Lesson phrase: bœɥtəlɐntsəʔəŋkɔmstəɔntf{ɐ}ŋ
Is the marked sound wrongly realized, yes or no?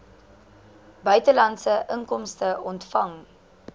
no